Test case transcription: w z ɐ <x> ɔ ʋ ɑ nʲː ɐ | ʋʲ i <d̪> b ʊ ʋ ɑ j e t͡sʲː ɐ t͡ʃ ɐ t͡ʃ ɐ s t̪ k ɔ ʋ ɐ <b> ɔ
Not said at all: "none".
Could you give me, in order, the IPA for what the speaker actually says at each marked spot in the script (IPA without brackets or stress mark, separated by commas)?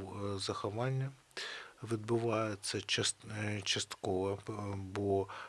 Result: x, d̪, b